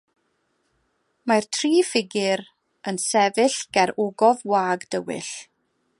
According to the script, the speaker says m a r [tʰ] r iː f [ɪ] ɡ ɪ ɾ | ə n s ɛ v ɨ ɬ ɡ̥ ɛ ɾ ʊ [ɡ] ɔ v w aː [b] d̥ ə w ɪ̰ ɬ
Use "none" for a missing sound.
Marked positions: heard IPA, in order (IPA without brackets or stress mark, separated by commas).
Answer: tʰ, ɪ, ɡ, ɡ